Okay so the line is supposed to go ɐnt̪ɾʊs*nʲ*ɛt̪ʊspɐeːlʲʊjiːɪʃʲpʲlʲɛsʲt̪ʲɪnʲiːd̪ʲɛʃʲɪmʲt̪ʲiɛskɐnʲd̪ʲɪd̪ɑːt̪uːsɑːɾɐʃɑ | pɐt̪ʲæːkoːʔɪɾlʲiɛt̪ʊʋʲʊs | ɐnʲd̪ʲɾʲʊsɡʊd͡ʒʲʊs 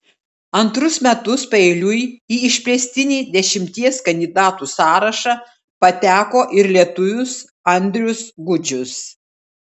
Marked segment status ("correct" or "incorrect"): incorrect